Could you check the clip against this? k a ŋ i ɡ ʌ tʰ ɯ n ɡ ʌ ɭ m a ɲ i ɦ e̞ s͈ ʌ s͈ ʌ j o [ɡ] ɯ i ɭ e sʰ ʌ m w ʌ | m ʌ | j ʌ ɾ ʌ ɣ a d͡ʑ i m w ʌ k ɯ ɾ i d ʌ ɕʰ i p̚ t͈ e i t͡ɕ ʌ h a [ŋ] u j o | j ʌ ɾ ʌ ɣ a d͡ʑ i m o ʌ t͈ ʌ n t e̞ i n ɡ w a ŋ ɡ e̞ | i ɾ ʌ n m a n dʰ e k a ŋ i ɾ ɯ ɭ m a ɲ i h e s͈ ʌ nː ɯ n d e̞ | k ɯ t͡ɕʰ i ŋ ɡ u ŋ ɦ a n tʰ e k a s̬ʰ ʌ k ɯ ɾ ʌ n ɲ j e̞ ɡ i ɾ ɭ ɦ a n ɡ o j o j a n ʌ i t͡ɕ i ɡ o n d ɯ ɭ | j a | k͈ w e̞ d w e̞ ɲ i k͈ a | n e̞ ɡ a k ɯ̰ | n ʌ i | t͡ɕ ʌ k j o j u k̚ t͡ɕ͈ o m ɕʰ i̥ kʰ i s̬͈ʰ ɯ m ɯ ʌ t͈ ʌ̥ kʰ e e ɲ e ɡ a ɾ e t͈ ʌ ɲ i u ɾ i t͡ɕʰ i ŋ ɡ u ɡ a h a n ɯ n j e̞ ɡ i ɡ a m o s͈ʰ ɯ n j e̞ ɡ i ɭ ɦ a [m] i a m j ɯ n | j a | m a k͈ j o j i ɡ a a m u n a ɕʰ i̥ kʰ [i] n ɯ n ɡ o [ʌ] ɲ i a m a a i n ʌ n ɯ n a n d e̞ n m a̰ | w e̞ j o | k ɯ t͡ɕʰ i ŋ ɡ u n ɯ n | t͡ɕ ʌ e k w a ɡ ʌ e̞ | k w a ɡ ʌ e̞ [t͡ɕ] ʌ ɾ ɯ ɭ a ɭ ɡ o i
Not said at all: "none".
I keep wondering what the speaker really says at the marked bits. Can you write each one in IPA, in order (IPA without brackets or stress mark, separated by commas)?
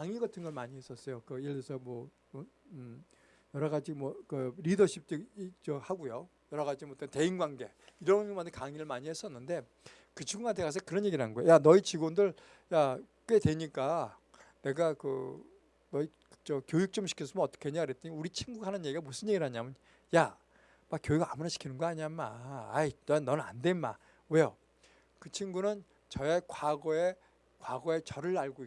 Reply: k, ɡ, ɲ, i, a, t͡ɕ